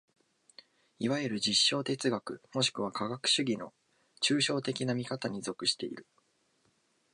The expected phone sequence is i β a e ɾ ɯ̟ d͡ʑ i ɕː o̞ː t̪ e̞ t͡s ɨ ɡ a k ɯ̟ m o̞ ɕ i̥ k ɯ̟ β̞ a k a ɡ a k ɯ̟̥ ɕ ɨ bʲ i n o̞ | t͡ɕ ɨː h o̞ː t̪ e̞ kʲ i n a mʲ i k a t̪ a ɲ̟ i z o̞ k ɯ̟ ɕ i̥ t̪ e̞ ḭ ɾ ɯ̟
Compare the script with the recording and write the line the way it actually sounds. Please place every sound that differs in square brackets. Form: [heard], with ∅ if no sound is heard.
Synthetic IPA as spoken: i β a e ɾ ɯ̟ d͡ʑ i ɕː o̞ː t̪ e̞ t͡s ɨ ɡ a k ɯ̟ m o̞ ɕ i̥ k ɯ̟ β̞ a k a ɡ a k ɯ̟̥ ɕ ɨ [ɡʲ] i n o̞ | t͡ɕ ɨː [ɕ] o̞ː t̪ e̞ kʲ i n a mʲ i k a t̪ a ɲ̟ i z o̞ k ɯ̟ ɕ i̥ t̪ e̞ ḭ ɾ ɯ̟